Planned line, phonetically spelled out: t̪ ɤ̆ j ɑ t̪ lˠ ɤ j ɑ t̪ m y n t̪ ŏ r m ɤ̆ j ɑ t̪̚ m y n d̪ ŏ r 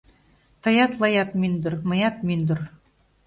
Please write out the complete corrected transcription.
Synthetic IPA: t̪ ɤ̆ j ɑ t̪ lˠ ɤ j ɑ t̪ m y n d̪ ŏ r m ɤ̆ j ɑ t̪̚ m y n d̪ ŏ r